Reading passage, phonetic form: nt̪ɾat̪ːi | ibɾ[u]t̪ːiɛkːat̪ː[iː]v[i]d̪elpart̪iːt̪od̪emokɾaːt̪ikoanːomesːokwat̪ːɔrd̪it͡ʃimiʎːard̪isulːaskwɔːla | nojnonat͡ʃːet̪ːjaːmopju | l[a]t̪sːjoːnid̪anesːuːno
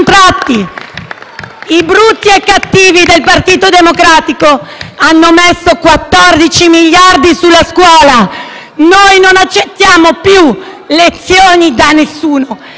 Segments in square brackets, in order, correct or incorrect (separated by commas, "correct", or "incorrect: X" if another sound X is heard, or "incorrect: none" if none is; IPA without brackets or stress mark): correct, correct, correct, incorrect: e